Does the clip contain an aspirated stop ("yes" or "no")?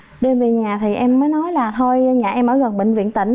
yes